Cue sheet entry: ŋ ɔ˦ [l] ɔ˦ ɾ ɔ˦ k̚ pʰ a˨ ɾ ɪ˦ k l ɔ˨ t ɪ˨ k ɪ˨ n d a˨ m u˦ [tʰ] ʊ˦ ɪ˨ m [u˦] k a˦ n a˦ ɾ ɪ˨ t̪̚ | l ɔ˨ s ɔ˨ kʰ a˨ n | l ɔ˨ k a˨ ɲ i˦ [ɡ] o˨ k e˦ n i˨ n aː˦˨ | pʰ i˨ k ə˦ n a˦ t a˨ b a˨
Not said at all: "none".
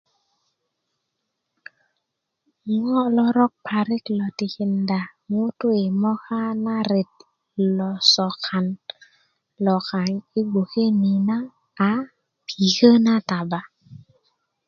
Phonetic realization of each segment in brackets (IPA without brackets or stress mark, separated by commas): l, t, ɔ˦, ɡ